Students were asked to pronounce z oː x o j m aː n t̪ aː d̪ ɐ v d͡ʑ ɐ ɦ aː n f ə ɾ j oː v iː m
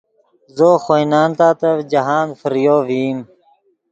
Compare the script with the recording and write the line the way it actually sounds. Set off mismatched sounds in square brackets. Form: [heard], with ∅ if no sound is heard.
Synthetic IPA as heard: z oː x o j [n] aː n t̪ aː [t̪] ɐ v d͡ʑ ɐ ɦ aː n f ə ɾ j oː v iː m

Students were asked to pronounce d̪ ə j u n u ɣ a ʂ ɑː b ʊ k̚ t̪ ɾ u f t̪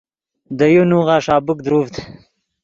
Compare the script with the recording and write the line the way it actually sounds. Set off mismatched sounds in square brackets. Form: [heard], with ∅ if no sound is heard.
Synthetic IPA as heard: d̪ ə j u n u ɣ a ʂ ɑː b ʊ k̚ [d̪] ɾ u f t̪

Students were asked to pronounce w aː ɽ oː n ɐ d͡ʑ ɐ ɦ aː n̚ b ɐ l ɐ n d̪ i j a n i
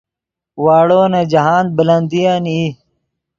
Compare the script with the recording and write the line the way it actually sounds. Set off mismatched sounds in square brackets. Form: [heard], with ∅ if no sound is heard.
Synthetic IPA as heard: w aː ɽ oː n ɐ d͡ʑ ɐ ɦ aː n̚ b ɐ l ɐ n d̪ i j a n i

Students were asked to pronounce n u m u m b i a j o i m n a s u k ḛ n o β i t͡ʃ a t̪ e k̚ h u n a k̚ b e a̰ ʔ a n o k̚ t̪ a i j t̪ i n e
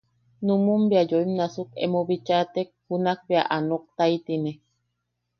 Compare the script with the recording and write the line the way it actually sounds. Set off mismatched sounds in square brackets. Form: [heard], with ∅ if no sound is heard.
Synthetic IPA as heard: n u m u m b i a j o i m n a s u k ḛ [m] o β i t͡ʃ a t̪ e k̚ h u n a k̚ b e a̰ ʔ a n o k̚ t̪ a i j t̪ i n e

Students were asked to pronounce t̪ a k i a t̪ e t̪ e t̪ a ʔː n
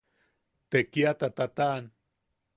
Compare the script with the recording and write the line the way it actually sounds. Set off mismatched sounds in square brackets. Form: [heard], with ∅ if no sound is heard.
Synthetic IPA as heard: t̪ [e] k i a t̪ [a] t̪ [a] t̪ a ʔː n

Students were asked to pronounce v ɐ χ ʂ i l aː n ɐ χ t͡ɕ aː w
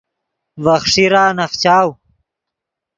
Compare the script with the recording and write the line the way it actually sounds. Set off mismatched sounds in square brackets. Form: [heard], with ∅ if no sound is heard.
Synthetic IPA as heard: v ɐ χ ʂ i [ɾ] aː n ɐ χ t͡ɕ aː w

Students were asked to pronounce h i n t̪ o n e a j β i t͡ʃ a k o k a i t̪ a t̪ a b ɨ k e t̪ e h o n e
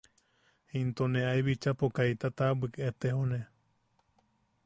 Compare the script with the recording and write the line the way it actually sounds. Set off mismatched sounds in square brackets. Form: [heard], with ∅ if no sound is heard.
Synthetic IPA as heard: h i n t̪ o n e a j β i t͡ʃ a [p] o k a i t̪ a t̪ a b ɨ k e t̪ e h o n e

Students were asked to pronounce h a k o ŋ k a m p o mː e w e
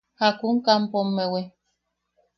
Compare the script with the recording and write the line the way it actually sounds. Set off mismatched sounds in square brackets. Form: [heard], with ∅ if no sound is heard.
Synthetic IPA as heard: h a k [u] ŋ k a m p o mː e w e

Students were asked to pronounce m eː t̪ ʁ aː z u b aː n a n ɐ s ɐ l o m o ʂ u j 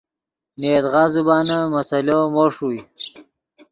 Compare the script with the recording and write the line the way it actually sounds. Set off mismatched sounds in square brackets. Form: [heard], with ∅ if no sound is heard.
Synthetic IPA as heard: [n] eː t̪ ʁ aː z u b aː n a [m] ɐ s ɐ l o m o ʂ u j

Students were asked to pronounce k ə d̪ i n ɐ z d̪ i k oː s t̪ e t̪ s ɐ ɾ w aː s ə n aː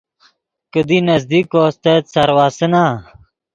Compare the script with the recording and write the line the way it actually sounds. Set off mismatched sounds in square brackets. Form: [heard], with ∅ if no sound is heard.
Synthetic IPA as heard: k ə d̪ i n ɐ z d̪ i k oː s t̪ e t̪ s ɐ ɾ w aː s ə n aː

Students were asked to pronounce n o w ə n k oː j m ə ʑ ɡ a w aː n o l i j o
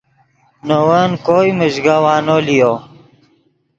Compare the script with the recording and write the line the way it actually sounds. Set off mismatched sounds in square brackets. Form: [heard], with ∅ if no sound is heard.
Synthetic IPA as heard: n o w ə n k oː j m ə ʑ ɡ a w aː n o l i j o

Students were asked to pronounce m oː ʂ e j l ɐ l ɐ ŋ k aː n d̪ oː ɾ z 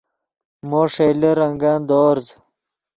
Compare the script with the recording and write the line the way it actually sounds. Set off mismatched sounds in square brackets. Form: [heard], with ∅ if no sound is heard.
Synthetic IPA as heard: m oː ʂ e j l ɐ [ɾ] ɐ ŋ [ɡ] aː n d̪ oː ɾ z

